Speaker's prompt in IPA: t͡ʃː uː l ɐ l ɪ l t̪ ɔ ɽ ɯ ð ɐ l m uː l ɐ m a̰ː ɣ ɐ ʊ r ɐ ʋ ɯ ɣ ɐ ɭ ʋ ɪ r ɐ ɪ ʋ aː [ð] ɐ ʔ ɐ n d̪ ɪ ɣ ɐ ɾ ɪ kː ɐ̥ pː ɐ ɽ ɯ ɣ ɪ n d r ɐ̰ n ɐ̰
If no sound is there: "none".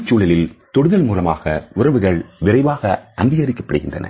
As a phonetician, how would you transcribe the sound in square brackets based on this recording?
ɣ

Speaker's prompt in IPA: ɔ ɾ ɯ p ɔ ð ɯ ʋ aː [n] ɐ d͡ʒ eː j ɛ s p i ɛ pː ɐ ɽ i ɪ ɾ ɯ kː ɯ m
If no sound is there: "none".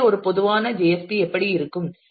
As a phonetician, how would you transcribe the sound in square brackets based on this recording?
n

